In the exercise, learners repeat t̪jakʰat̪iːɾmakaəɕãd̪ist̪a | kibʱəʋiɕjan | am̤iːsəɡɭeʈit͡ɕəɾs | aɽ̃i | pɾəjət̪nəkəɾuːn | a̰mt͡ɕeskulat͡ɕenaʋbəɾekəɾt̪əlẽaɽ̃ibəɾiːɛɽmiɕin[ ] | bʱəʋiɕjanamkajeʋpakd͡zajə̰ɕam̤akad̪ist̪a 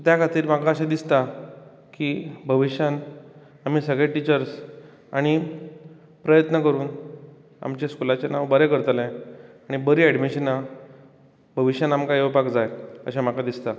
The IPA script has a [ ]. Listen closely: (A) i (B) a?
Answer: B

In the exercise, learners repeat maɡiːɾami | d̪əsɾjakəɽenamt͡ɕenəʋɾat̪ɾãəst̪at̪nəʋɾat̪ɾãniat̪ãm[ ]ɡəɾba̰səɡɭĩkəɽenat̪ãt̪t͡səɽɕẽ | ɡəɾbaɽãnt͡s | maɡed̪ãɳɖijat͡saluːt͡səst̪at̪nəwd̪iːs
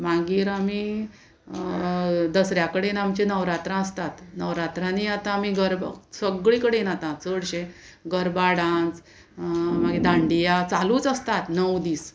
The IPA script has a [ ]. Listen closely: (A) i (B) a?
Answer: A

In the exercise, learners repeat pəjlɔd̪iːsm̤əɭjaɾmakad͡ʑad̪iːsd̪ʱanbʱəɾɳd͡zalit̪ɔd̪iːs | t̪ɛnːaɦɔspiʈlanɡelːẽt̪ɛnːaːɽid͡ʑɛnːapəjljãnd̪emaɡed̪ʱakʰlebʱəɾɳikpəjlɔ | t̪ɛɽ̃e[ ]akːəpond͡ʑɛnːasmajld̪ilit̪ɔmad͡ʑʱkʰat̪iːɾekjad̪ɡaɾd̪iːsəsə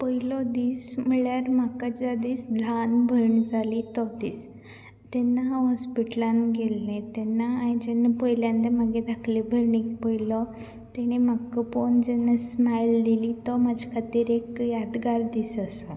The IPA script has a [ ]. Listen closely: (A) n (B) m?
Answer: B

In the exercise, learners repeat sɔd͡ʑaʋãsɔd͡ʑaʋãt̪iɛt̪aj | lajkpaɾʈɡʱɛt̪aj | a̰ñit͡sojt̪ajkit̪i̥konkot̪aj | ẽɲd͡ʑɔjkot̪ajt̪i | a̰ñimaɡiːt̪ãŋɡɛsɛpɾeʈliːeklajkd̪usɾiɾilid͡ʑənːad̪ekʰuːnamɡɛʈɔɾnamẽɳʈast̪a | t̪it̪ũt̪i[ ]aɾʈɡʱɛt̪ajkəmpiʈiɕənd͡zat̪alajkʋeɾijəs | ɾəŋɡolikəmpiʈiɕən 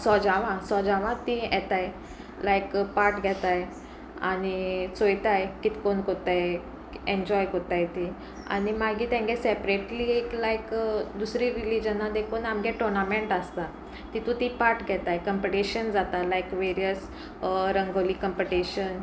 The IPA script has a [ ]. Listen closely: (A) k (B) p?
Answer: B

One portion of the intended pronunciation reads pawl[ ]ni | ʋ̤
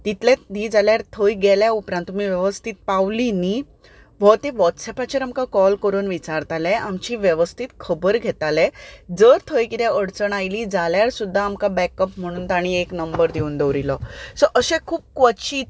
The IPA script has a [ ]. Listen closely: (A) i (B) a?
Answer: A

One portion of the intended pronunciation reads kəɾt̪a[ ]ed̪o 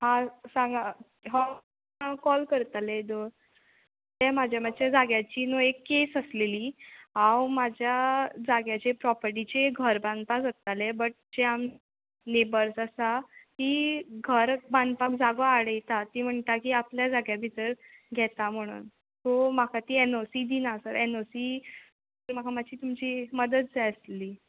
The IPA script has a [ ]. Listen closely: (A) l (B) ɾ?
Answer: A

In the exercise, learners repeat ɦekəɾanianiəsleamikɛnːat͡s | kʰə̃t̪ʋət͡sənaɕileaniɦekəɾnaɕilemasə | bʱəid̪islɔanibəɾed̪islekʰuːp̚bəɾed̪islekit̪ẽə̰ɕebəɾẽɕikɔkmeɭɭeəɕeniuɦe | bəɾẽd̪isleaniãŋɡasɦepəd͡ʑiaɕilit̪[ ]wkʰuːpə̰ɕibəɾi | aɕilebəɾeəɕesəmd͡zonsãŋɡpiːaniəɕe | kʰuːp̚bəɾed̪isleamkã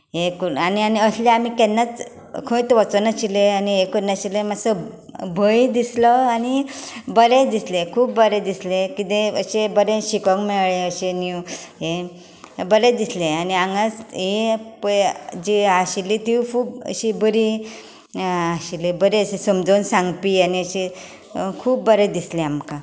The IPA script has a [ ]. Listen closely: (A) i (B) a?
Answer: A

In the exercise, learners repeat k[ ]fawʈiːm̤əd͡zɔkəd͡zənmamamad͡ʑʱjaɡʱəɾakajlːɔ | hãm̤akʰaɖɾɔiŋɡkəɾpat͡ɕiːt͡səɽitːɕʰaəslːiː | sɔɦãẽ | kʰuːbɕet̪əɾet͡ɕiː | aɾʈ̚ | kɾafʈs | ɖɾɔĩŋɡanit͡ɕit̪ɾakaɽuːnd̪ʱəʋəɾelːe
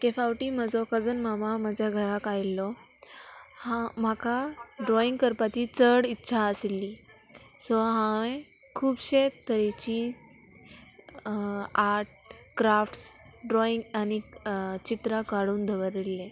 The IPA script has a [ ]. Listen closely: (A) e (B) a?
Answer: A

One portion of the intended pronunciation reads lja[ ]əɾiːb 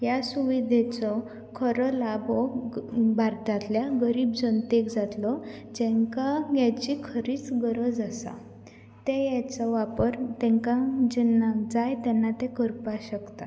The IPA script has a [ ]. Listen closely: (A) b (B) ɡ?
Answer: B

